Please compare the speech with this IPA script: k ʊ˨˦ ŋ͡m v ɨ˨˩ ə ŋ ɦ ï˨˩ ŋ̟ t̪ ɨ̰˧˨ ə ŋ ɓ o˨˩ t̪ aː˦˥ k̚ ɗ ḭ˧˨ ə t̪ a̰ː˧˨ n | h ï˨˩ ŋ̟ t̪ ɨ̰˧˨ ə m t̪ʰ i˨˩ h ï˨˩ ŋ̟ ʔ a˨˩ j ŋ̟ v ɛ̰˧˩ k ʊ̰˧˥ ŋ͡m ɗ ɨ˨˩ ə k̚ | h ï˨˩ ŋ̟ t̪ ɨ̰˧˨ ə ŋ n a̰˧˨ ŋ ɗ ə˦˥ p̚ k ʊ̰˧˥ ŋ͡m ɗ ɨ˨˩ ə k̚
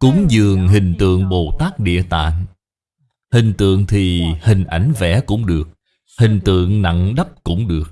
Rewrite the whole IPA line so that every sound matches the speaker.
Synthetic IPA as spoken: k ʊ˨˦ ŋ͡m z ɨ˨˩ ə ŋ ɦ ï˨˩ ŋ̟ t̪ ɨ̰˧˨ ə ŋ ɓ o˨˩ t̪ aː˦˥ k̚ ɗ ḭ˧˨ ə t̪ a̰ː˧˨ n | h ï˨˩ ŋ̟ t̪ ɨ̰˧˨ ə ŋ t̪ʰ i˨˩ h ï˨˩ ŋ̟ ʔ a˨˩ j ŋ̟ v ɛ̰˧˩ k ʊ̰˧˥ ŋ͡m ɗ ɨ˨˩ ə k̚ | h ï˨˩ ŋ̟ t̪ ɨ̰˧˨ ə ŋ n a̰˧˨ ŋ ɗ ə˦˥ p̚ k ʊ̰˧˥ ŋ͡m ɗ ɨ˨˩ ə k̚